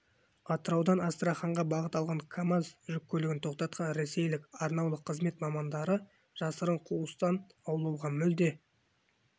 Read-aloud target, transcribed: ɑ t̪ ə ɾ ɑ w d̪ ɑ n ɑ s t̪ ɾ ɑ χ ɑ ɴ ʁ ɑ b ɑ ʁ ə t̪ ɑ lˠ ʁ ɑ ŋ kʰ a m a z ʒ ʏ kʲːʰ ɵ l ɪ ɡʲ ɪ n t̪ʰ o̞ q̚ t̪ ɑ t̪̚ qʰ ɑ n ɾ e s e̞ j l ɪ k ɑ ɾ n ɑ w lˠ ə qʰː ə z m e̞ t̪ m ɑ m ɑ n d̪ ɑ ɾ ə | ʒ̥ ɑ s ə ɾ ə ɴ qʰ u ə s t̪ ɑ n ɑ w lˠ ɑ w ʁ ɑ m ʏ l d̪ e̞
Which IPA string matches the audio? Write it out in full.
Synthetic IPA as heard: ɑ t̪ ə ɾ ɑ w d̪ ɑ n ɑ s t̪ ɾ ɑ χ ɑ ɴ ʁ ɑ b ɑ ʁ ə t̪ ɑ lˠ ʁ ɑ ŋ kʰ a m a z ʒ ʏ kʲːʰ ɵ l ɪ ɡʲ ɪ n t̪ʰ o̞ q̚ t̪ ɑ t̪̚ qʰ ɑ n ɾ e s e̞ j l ɪ k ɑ ɾ n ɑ w lˠ ə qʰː ə z m e̞ t̪ m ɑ m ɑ n d̪ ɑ ɾ ə | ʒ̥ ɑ s ə ɾ ə ɴ qʰ u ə s t̪ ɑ n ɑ w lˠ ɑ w ʁ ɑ m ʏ l d̪ e̞